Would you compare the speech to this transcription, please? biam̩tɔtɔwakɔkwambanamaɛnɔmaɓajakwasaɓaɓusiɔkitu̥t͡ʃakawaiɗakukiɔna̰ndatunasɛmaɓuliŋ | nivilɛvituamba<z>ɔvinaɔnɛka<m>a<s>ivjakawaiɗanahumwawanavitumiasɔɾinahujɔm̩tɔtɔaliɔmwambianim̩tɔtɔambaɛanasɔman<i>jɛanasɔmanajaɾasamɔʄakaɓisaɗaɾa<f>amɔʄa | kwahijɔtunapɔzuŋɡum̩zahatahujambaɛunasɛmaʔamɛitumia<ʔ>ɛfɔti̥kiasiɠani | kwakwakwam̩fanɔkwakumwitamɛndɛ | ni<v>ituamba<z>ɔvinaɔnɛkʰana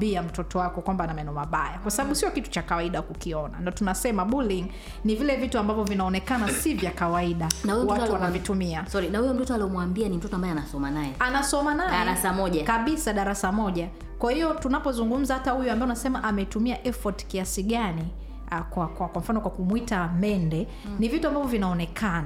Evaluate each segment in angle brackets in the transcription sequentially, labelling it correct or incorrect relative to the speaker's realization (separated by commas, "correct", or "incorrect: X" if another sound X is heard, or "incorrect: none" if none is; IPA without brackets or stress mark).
incorrect: v, incorrect: n, correct, incorrect: a, incorrect: s, correct, correct, incorrect: v